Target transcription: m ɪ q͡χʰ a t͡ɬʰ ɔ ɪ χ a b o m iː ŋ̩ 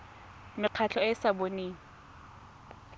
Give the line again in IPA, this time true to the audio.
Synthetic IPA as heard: m ɪ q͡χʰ a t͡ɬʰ ɔ ɪ s a b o n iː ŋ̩